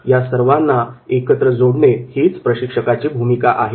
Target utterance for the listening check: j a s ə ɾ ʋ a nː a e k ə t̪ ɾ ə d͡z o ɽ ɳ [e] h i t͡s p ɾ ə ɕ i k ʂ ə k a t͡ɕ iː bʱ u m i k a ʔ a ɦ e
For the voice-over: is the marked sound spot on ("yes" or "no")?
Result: yes